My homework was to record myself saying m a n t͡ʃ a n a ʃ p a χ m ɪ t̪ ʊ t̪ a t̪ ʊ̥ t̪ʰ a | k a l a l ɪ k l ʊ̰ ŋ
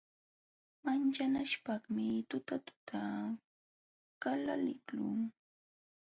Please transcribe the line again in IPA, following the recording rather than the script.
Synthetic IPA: m a n t͡ʃ a n a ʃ p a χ m ɪ t̪ ʊ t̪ a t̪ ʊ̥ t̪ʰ a | k a l a l ɪ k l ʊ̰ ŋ